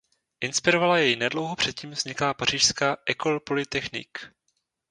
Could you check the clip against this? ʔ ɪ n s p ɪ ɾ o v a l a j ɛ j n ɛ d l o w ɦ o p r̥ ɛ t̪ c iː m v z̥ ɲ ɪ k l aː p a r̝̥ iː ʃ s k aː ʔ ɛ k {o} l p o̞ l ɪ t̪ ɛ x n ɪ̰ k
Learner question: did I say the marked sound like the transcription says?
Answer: yes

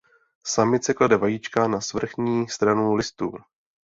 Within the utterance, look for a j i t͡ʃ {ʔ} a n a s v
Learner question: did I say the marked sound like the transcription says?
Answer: no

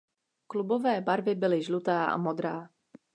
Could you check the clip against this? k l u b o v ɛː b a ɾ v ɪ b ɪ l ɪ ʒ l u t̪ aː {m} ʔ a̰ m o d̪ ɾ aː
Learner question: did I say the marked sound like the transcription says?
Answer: no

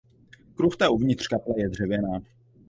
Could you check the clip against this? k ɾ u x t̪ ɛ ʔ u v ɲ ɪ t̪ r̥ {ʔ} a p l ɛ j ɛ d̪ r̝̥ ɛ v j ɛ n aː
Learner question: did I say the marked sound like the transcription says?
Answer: no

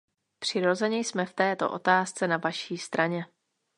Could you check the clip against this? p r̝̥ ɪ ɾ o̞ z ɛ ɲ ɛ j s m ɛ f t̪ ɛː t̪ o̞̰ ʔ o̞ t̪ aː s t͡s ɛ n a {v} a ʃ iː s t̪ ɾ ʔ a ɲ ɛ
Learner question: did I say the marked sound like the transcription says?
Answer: yes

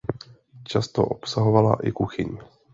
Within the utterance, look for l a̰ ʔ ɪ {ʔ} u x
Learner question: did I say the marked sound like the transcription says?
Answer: no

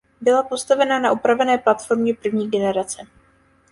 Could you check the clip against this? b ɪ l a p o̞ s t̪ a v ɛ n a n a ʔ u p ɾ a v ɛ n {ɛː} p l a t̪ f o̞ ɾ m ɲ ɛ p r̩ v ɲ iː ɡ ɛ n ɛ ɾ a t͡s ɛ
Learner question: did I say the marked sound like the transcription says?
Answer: yes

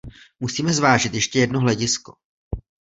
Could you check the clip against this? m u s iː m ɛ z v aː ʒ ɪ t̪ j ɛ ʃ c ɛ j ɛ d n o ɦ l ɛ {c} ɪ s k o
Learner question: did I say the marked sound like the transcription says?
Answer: no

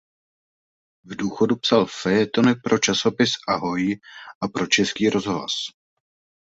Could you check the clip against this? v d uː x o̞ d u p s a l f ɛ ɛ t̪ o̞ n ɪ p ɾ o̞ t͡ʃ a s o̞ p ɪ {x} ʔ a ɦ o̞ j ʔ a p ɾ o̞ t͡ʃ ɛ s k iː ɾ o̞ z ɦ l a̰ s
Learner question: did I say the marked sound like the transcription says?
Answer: no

